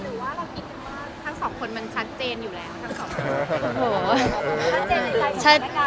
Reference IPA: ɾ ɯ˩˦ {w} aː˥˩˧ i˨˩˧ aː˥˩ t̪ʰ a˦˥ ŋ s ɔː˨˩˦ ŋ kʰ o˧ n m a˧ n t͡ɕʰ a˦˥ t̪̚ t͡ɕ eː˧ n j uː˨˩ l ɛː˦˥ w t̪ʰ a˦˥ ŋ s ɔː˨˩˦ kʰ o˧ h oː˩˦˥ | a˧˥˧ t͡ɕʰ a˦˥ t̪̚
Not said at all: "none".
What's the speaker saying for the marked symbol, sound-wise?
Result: w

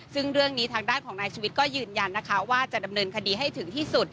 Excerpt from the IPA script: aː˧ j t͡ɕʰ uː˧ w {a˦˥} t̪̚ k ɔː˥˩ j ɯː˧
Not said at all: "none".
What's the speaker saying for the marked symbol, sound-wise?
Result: i˦˥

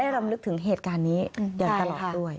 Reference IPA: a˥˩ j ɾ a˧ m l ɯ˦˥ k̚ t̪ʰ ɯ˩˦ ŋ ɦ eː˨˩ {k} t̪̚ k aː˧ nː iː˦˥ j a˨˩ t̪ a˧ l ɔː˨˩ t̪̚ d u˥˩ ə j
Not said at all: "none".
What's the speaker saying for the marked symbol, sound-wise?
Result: none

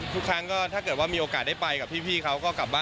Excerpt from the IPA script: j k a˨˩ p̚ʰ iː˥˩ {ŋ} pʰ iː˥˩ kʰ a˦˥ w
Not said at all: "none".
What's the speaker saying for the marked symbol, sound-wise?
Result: none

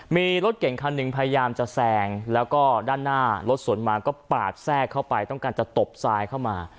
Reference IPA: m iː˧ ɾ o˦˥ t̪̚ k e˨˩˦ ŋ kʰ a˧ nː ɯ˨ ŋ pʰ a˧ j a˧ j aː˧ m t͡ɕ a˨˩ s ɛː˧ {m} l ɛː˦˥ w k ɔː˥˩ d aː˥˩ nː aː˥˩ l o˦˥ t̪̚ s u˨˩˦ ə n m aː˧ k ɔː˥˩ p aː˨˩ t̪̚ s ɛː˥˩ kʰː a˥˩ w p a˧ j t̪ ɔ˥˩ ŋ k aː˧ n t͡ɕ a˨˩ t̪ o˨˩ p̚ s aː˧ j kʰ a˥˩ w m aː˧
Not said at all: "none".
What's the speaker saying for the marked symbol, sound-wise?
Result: ŋ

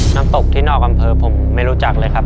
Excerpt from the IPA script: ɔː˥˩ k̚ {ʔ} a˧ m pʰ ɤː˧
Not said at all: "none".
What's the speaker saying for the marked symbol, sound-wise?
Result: ʔ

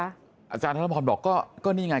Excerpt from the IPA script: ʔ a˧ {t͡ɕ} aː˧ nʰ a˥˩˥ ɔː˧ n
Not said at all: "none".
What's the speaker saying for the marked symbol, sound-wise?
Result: t͡ɕ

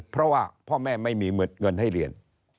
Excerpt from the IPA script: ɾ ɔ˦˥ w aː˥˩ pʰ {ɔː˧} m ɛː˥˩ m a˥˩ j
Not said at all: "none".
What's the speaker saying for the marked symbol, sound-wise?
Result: ɔː˥˩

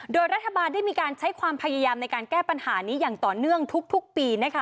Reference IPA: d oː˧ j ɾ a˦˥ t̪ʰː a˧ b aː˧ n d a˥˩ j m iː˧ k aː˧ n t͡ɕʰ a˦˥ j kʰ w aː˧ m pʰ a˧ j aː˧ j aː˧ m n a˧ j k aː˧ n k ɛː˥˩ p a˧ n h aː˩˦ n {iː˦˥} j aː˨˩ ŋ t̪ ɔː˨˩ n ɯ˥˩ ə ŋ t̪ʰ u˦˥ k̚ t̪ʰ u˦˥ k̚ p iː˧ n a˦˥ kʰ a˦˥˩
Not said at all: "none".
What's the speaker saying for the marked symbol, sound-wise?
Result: iː˦˥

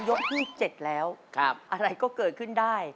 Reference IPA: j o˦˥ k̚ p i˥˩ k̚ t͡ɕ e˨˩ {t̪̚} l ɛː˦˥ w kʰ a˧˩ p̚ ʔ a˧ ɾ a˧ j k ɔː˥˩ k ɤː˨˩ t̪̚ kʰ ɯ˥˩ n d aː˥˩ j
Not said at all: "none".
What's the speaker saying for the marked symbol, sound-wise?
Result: t̪̚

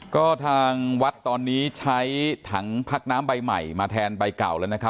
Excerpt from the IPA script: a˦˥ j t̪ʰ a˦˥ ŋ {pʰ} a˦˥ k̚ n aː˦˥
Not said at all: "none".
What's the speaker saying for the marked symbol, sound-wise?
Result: pʰ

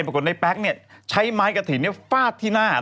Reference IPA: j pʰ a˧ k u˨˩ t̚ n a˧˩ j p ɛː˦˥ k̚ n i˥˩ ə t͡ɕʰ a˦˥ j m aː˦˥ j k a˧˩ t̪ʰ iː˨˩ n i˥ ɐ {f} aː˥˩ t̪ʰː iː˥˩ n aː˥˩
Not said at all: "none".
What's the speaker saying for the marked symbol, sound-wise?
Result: f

